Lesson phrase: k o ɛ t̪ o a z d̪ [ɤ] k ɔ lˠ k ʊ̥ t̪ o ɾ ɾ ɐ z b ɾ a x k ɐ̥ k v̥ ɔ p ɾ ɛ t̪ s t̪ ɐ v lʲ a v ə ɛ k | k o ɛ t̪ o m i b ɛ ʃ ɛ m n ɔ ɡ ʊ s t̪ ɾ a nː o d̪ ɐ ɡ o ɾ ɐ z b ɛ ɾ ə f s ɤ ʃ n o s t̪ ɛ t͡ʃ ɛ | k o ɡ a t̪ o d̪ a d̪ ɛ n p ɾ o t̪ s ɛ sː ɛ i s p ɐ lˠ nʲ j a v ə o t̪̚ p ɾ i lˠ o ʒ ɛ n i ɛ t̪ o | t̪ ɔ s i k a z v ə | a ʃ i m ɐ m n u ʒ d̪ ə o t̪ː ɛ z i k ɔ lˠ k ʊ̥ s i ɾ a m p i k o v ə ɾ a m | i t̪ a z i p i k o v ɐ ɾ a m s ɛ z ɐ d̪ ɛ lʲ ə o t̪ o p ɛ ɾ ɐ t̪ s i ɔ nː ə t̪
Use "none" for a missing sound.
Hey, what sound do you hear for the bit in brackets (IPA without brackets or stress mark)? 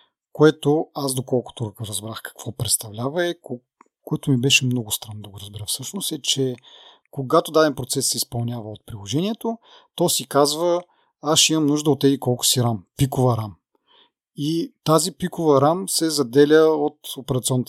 o